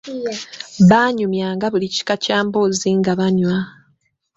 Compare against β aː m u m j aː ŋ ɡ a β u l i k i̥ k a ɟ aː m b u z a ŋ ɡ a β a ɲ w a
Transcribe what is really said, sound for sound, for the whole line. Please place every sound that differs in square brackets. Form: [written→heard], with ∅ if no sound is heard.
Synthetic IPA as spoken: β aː [m→ɲ] u m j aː ŋ ɡ a β u l i [k→c] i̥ k a [ɟ→c] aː m b [u→o] z [a→i] ŋ ɡ a β a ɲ w a